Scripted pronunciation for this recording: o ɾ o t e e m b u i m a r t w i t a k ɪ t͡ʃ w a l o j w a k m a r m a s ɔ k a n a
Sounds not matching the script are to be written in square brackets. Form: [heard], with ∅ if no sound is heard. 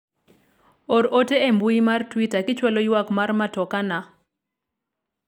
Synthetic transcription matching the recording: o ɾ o t e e m b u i m a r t w i t a k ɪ t͡ʃ w a l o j w a k m a r m a [t] ɔ k a n a